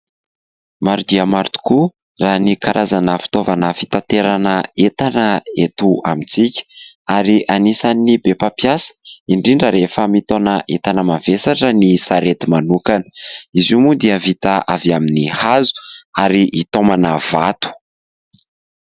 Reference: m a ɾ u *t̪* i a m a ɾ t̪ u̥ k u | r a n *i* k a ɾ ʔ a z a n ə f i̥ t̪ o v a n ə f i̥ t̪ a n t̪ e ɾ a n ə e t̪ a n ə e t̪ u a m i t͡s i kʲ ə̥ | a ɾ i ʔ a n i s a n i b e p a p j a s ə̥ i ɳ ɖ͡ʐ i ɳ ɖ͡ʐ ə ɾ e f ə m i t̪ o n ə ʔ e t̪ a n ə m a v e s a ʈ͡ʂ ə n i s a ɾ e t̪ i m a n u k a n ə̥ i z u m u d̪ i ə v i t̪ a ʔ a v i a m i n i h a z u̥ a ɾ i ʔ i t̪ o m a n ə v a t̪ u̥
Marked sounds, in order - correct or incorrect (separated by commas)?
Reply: incorrect, correct